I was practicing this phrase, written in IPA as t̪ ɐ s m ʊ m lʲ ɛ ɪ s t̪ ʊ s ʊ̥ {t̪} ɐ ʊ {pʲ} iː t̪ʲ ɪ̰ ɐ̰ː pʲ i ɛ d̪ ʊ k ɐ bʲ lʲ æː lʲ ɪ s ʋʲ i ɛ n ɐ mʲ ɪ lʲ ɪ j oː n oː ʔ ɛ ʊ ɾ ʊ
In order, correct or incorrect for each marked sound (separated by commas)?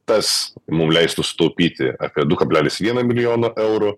correct, correct